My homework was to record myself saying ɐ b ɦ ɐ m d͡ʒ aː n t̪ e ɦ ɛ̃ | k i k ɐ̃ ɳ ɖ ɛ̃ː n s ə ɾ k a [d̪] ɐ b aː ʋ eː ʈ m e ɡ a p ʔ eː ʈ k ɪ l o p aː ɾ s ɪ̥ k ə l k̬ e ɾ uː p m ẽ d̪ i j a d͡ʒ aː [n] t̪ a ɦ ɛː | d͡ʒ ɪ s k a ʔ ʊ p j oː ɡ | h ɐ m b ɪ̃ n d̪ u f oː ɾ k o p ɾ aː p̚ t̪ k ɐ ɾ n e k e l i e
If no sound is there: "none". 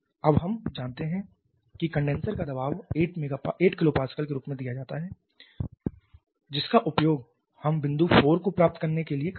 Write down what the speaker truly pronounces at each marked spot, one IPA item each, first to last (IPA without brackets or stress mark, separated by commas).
d̪, none